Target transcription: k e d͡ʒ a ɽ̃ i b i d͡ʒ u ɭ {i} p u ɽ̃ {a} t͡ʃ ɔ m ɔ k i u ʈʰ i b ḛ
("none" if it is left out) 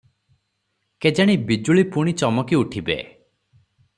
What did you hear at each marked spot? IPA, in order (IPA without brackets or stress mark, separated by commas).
i, i